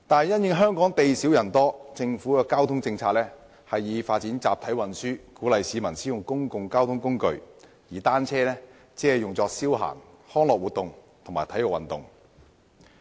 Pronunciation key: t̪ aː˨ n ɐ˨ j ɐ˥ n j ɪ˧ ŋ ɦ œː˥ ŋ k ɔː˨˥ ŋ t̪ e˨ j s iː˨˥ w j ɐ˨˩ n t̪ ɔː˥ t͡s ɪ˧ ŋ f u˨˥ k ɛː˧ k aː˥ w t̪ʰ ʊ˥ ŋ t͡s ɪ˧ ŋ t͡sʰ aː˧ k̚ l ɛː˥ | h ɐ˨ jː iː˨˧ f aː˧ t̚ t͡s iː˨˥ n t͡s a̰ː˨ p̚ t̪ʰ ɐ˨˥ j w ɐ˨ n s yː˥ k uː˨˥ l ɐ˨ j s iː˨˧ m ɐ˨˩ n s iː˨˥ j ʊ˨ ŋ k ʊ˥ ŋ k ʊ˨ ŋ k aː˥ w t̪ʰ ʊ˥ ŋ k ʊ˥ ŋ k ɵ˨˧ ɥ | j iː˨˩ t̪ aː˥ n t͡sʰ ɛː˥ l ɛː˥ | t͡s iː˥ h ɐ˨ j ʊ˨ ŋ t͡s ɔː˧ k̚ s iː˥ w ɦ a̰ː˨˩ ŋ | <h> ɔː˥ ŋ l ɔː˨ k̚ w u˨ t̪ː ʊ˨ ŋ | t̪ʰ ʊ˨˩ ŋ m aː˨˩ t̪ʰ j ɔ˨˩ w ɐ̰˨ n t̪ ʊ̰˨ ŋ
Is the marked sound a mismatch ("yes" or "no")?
no